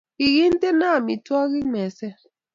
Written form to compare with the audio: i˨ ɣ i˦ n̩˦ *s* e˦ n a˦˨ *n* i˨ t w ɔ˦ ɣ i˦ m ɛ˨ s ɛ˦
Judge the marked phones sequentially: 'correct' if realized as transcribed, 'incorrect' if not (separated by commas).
incorrect, incorrect